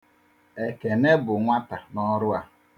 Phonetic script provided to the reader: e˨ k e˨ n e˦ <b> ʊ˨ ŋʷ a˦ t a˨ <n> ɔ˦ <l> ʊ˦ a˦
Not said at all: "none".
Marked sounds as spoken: b, n, ɾ

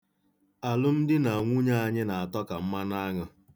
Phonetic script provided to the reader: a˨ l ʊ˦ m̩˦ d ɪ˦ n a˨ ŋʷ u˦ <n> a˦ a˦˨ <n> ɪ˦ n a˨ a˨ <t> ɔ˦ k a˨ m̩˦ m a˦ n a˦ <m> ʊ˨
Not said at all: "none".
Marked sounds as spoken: ɲ, ɲ, t, ŋ

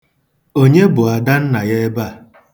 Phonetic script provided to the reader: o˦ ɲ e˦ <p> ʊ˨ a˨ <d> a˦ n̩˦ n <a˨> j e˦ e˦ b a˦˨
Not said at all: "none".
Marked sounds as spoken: b, d, a˨

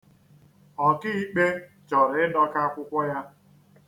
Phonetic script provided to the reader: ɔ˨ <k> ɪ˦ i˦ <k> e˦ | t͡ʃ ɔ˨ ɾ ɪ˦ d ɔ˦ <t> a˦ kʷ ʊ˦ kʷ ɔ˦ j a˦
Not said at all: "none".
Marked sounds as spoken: k, k͡p, k

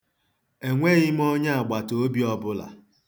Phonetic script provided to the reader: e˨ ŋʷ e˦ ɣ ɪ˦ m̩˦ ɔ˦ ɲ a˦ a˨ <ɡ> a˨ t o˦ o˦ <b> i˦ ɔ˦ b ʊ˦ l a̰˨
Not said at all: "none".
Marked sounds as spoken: ɡ͡b, b

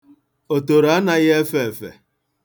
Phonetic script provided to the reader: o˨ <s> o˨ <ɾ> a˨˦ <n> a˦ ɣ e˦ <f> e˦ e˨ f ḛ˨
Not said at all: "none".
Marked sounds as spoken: t, ɾ, n, f

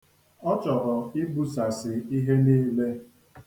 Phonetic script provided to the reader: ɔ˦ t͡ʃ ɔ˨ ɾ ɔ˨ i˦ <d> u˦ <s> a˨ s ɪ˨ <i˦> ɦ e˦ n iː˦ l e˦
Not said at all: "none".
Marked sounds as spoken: b, s, i˦

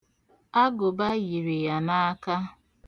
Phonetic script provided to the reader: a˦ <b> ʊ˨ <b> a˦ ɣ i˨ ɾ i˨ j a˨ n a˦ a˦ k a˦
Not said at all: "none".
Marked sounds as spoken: ɡ, b

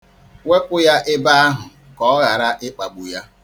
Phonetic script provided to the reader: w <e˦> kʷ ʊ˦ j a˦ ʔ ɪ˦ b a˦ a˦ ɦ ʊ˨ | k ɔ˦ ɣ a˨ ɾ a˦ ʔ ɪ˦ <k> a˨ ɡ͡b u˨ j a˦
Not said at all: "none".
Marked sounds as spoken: e˦, k͡p

